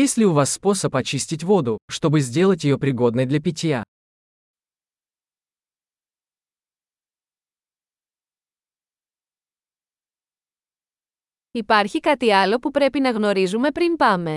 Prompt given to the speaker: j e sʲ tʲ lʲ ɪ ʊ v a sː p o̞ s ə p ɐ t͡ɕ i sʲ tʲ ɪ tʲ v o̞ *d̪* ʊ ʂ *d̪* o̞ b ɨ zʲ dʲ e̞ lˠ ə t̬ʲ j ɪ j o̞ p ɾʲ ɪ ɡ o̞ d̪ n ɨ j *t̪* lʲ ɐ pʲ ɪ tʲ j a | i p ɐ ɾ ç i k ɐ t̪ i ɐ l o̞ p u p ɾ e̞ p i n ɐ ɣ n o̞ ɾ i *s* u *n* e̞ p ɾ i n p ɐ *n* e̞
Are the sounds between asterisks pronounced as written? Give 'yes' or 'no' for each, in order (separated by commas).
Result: yes, no, no, no, no, no